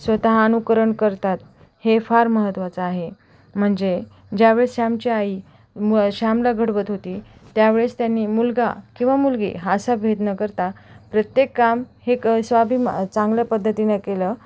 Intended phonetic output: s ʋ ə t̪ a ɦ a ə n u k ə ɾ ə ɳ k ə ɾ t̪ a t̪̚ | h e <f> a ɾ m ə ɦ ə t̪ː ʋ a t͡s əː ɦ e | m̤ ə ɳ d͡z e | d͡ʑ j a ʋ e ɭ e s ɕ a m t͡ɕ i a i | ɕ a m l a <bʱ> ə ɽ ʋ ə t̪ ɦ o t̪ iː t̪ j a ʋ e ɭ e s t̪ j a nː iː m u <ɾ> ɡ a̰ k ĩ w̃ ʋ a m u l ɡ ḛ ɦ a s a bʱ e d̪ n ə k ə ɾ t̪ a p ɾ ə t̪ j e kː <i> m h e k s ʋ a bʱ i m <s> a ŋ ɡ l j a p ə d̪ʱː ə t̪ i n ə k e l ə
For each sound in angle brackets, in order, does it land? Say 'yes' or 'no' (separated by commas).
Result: yes, no, no, no, no